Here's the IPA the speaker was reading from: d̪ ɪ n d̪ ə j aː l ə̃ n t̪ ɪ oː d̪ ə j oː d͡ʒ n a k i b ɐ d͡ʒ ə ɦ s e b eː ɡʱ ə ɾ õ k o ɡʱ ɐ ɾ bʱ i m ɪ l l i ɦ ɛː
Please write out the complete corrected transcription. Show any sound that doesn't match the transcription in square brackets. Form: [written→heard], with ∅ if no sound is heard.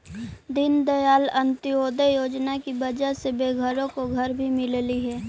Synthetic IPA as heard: d̪ ɪ n d̪ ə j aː l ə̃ n t̪ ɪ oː d̪ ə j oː d͡ʒ n a k i b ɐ d͡ʒ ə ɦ s e b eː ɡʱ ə ɾ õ k o ɡʱ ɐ ɾ bʱ i m ɪ l l i ɦ ɛː